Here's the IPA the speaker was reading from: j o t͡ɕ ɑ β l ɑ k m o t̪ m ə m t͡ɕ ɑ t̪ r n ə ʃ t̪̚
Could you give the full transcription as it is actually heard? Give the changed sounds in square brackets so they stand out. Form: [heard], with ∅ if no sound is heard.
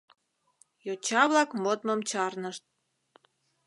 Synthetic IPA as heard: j o t͡ɕ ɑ β l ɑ k m o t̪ m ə m t͡ɕ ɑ [∅] r n ə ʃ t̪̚

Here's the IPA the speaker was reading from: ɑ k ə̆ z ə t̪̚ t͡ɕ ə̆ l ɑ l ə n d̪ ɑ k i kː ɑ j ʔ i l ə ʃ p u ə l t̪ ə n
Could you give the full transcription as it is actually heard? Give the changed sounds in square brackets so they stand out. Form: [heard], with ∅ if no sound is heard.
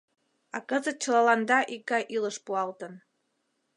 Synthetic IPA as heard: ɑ k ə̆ z ə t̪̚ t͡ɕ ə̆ l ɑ l [ɑ] n d̪ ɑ [ʔ] i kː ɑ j ʔ i l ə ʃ p u [ɑ] l t̪ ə n

